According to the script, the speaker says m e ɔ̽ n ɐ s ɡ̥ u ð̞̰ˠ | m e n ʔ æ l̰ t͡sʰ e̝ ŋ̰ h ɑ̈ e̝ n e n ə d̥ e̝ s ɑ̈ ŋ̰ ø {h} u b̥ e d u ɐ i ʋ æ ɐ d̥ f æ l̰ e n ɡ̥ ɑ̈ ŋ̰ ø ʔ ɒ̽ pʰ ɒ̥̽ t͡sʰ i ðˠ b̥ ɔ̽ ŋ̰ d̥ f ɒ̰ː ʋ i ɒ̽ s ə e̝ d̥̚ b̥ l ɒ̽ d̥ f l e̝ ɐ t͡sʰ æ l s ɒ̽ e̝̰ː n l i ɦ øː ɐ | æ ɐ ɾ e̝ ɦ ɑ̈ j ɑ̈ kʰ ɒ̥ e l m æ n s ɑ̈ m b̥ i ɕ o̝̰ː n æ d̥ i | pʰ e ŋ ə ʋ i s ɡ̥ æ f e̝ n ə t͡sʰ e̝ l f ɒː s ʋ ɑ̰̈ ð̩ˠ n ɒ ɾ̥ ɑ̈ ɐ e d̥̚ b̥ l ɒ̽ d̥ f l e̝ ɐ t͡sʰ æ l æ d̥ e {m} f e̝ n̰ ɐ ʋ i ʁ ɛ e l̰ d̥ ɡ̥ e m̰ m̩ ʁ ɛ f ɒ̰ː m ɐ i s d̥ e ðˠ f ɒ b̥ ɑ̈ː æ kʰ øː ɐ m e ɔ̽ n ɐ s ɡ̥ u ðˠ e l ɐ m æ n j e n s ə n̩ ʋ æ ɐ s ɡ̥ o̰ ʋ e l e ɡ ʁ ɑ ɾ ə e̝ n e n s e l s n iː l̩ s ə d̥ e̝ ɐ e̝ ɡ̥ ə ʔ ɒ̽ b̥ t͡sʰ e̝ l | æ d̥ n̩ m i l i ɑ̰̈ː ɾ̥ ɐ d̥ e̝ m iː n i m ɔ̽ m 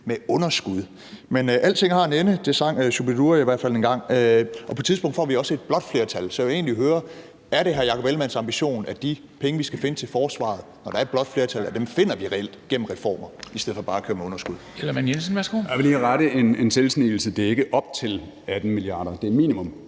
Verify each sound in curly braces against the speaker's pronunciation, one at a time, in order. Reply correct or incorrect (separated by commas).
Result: incorrect, correct